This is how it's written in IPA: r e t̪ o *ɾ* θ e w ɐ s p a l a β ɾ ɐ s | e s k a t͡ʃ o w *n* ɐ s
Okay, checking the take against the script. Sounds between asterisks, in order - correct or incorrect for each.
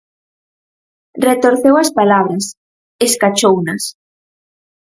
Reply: correct, correct

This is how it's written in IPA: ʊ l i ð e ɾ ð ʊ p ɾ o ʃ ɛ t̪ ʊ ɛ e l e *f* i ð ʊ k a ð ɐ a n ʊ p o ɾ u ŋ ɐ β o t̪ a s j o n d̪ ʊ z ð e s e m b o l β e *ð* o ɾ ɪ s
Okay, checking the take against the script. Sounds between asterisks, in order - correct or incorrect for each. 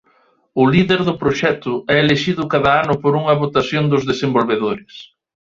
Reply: incorrect: ʃ, correct

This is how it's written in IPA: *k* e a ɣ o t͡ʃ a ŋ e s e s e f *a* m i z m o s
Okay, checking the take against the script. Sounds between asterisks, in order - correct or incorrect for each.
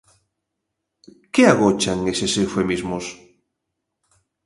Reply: correct, incorrect: e

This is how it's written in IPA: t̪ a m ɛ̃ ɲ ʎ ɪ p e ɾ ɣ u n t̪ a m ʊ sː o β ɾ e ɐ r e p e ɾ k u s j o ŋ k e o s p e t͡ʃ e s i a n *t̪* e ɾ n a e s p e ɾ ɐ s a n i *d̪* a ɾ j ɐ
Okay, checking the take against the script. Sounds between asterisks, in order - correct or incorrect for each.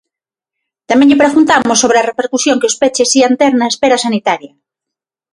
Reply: correct, incorrect: t̪

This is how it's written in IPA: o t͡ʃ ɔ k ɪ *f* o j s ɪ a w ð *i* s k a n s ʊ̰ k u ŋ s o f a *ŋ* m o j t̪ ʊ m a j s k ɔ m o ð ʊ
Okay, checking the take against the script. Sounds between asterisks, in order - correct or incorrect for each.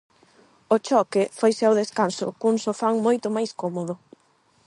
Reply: correct, incorrect: e, correct

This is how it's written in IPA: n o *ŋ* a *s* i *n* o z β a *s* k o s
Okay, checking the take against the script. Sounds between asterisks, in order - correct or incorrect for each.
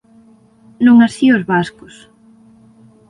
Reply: correct, correct, incorrect: none, correct

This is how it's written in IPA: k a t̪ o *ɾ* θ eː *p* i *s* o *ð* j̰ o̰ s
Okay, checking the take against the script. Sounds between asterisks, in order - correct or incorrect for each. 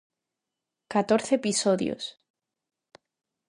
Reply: correct, correct, correct, correct

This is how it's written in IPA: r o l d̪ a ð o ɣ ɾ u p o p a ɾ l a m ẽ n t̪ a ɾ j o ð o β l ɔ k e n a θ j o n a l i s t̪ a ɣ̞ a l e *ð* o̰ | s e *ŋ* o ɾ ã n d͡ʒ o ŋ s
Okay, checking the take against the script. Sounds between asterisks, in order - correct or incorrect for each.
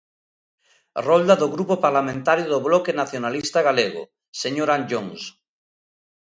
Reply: incorrect: ɣ, incorrect: ɲ

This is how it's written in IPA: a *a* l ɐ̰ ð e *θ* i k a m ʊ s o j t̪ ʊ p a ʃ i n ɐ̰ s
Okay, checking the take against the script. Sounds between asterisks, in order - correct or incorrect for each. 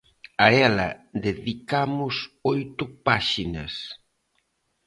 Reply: incorrect: ɛ, incorrect: ð

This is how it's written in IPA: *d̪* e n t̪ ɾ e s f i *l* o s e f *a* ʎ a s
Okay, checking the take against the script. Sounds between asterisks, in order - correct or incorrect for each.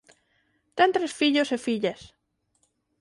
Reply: incorrect: t̪, incorrect: ʎ, incorrect: i

